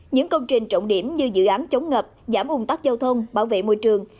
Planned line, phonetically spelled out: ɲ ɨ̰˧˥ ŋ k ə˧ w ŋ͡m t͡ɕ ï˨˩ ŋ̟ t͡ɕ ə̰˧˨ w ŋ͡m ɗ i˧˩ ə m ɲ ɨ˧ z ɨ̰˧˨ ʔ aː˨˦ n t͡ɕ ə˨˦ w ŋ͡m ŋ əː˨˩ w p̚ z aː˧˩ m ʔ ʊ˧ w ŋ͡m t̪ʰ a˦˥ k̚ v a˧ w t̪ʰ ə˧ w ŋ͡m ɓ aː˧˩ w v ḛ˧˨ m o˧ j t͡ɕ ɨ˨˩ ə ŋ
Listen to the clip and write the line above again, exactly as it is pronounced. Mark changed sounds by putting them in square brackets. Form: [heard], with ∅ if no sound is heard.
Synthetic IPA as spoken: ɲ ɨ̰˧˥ ŋ k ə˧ w ŋ͡m t͡ɕ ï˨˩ ŋ̟ t͡ɕ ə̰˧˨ w ŋ͡m ɗ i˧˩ ə m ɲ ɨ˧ z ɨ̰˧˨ ʔ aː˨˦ n t͡ɕ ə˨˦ w ŋ͡m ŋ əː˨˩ [∅] p̚ z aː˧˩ m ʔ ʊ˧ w ŋ͡m [t̪] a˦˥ k̚ [z] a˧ w t̪ʰ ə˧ w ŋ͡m ɓ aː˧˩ w v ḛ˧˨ m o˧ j t͡ɕ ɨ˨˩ ə ŋ